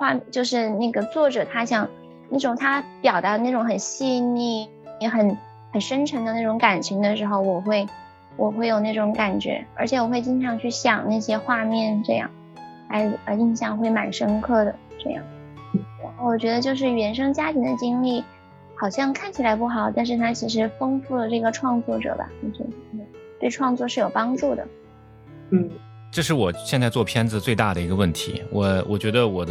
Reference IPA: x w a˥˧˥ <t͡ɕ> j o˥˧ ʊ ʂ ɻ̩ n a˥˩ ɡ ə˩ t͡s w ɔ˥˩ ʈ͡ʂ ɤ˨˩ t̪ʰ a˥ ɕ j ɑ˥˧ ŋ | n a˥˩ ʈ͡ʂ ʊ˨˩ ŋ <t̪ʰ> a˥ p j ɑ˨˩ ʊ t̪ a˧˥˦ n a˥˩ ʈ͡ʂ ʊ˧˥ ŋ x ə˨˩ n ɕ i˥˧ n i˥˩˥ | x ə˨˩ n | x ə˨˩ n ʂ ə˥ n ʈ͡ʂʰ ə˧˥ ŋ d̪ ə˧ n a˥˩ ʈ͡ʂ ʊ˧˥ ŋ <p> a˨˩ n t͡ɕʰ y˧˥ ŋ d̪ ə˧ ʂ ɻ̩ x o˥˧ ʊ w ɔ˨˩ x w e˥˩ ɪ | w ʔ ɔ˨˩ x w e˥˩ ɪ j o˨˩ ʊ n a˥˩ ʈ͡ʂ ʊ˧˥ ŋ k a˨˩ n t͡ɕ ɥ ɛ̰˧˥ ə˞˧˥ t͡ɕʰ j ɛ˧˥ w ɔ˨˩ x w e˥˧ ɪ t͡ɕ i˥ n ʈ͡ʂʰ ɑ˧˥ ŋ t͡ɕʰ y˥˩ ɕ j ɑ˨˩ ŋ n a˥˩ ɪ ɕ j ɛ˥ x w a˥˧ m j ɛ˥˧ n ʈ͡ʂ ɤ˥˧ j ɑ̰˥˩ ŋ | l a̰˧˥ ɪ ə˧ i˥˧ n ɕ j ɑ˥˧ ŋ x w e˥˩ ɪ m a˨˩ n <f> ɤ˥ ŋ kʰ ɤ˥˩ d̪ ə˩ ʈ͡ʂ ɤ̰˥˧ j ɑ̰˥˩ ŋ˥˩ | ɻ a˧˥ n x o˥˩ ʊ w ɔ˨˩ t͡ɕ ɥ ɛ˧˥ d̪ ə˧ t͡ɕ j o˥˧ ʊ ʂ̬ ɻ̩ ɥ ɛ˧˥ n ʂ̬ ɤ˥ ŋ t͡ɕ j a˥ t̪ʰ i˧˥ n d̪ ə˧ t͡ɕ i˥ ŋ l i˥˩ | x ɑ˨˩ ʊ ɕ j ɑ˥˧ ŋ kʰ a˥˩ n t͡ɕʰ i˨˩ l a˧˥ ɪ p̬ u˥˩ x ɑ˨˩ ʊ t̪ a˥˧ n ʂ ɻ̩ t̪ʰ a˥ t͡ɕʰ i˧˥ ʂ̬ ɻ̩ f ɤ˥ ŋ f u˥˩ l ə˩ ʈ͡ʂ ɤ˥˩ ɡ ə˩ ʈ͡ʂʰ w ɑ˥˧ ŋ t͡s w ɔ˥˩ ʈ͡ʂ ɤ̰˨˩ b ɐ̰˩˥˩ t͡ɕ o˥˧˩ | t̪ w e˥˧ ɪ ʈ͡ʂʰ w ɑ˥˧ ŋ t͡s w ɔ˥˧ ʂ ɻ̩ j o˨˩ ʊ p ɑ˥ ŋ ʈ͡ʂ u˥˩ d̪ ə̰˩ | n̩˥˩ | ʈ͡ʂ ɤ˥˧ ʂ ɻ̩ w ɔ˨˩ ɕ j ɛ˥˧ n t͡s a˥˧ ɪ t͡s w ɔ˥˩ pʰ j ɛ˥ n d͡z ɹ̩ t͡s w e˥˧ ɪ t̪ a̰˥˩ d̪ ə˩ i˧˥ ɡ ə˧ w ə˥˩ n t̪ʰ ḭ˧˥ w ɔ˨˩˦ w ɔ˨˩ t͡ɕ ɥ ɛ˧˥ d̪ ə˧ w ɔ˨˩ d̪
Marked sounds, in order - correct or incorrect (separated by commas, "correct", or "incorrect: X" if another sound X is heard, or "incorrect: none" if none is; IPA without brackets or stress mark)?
correct, correct, incorrect: k, incorrect: ʂ